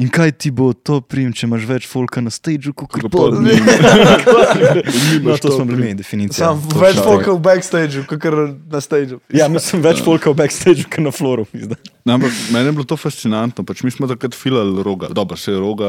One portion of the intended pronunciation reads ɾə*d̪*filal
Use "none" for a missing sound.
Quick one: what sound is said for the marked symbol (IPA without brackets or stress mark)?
t̪